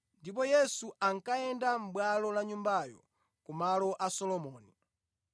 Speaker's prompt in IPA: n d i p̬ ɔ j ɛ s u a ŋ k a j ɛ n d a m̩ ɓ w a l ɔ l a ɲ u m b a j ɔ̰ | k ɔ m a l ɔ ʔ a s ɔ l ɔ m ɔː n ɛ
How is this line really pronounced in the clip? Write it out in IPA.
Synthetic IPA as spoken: n d i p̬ ɔ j ɛ s u a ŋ k a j ɛ n d a m̩ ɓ w a l ɔ l a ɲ u m b a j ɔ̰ | k u m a l ɔ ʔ a s ɔ l ɔ m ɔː n i